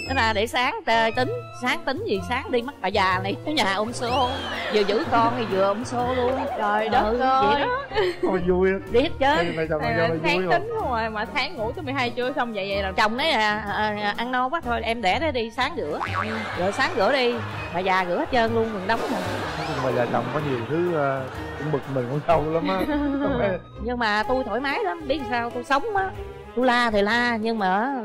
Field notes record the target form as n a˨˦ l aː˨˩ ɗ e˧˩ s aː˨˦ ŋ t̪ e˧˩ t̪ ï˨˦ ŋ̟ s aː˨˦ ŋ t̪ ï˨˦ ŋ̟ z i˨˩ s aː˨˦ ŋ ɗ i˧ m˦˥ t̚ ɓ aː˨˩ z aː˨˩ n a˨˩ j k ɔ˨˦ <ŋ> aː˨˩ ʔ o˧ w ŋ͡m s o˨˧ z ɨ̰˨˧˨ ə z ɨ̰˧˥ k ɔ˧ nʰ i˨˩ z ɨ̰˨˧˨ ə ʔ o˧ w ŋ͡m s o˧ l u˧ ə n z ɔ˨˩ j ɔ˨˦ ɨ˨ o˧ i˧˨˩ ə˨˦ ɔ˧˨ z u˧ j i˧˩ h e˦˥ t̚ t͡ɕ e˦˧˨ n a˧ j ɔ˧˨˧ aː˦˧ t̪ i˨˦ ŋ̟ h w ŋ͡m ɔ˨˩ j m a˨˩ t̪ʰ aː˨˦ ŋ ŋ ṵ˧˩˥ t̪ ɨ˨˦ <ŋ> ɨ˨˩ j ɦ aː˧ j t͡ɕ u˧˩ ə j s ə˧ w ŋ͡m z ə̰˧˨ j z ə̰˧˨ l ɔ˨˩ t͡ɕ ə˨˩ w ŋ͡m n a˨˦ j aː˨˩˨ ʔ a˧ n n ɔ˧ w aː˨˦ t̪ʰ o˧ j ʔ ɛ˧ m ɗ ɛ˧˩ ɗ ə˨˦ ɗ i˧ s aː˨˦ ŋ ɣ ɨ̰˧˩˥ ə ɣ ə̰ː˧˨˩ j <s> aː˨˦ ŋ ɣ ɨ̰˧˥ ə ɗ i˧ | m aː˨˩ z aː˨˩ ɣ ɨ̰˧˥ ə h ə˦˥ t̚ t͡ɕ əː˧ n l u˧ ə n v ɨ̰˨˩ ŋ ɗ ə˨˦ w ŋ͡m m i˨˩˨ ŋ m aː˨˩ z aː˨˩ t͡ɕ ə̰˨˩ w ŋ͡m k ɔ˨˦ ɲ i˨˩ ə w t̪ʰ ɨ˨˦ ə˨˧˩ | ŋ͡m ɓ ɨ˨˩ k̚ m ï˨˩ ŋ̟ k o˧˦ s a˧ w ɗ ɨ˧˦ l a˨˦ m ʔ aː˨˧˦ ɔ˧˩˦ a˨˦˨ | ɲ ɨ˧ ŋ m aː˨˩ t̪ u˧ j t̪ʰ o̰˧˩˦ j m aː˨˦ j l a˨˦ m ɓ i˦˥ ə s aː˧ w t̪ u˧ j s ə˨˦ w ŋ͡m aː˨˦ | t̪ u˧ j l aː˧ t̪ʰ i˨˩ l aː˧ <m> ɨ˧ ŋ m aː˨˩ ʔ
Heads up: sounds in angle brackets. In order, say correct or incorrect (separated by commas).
incorrect, incorrect, correct, incorrect